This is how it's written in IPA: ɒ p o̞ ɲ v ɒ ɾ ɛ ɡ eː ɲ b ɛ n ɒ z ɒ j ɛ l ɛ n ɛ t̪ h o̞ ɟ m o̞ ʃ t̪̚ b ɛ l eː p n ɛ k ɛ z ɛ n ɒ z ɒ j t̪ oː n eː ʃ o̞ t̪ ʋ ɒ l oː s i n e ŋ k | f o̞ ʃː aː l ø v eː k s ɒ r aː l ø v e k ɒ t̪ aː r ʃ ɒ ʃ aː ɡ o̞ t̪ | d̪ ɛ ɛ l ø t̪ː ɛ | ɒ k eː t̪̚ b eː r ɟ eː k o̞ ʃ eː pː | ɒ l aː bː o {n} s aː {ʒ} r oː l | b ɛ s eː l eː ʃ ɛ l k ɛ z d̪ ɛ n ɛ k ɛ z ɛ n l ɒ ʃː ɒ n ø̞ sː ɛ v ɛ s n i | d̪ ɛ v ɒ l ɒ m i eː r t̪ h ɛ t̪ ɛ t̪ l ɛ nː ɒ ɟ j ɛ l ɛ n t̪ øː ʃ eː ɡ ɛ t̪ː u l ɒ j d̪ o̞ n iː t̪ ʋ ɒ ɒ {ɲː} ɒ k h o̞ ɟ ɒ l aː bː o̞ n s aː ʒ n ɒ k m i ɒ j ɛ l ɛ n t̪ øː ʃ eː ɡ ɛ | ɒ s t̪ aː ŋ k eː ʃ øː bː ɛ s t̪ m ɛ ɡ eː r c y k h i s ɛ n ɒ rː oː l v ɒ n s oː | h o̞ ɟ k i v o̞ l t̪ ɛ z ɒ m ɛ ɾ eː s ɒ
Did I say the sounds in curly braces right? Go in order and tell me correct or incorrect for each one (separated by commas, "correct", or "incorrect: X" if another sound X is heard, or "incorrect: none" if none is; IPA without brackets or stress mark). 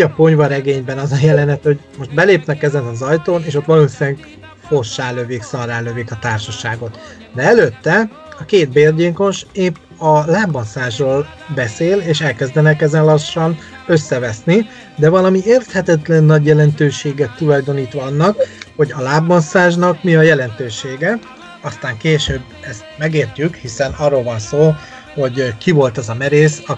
correct, correct, incorrect: nː